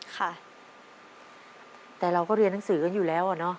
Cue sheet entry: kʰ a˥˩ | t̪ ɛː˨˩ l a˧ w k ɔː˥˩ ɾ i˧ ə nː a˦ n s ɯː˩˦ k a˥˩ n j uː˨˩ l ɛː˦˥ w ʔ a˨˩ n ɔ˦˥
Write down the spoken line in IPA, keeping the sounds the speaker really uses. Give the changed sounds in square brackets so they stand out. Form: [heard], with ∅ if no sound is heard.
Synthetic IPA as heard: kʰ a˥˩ | t̪ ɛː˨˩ [ɾ] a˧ w k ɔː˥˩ ɾ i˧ ə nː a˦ [ŋ] s ɯː˩˦ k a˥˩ n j uː˨˩ l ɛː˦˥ w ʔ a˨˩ n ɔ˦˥